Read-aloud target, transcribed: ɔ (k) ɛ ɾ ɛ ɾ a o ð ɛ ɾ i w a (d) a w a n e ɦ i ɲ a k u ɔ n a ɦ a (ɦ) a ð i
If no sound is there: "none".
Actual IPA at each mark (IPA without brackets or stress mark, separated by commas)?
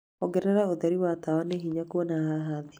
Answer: ɡ, t, ɦ